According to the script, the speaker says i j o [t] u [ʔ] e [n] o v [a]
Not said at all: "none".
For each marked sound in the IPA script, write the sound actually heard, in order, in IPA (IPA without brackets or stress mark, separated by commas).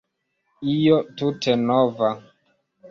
t, t, n, a